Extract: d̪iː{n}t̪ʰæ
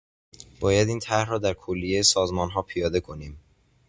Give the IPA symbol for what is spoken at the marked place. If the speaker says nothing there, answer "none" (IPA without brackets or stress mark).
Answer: n